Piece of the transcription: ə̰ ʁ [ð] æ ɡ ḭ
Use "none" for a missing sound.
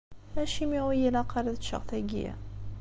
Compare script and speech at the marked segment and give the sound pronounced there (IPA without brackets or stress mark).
θ